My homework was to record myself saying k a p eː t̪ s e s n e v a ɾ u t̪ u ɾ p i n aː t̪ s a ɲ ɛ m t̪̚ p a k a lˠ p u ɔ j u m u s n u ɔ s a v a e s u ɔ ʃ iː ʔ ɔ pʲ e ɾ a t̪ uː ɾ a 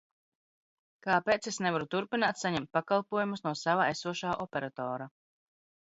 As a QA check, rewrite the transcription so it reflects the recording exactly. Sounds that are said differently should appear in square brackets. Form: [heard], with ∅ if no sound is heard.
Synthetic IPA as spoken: k a p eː t̪ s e s n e v a ɾ u t̪ u ɾ p i n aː t̪ s a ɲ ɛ m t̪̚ p a k a lˠ p u ɔ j u m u s n u ɔ s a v a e s u ɔ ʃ [aː] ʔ ɔ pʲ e ɾ a t̪ [ɔː] ɾ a